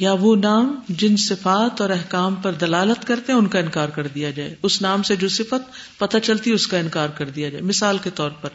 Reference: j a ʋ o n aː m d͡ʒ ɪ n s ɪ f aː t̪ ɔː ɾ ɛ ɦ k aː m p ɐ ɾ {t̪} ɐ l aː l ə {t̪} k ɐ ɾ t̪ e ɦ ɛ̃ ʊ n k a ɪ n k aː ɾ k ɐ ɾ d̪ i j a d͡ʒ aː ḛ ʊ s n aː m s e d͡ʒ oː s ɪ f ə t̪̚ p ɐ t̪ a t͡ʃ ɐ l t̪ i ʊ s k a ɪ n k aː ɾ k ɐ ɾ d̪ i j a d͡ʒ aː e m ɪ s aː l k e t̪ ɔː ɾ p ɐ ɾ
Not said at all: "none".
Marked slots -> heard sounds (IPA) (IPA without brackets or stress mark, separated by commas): d̪, t̪